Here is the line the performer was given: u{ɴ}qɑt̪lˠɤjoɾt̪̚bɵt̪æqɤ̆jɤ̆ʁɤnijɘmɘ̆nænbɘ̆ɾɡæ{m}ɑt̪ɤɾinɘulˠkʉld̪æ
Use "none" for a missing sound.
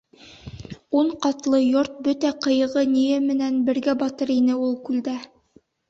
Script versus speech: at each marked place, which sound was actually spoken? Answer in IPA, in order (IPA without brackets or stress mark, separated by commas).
ɴ, b